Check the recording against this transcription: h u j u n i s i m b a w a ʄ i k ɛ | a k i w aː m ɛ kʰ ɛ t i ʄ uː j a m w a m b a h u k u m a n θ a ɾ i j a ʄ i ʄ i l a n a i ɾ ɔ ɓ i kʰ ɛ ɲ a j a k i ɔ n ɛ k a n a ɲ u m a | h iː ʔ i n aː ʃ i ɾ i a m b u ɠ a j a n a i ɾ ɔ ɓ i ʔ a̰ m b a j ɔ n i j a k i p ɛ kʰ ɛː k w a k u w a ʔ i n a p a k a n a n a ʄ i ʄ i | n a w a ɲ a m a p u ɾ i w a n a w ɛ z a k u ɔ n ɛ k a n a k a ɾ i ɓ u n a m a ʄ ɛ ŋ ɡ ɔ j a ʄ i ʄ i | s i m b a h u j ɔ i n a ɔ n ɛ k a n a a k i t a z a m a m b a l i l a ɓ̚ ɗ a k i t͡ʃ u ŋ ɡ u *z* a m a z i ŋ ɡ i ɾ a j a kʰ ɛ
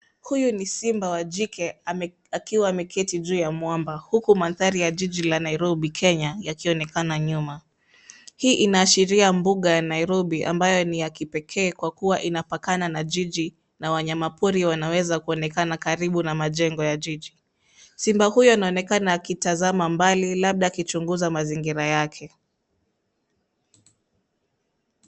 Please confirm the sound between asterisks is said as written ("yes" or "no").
yes